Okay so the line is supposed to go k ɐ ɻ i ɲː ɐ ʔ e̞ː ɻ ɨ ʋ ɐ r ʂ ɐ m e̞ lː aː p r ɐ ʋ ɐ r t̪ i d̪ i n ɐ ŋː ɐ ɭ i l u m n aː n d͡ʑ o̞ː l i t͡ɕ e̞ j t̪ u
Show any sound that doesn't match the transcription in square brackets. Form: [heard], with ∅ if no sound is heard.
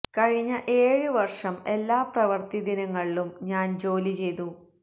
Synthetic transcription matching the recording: k ɐ ɻ i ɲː ɐ ʔ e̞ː ɻ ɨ ʋ ɐ r ʂ ɐ m e̞ lː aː p r ɐ ʋ ɐ r t̪ i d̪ i n ɐ ŋː ɐ ɭ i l u m [ɲ] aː n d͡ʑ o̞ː l i t͡ɕ e̞ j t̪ u